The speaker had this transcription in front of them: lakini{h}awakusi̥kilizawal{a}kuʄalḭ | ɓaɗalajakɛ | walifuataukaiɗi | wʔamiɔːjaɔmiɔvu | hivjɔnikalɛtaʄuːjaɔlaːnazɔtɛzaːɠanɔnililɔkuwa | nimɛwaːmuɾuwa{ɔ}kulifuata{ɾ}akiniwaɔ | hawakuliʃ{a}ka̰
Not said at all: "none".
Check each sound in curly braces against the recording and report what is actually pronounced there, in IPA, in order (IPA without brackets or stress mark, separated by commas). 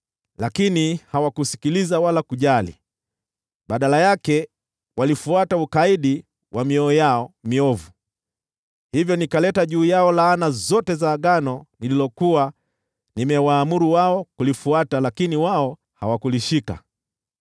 h, a, ɔ, l, i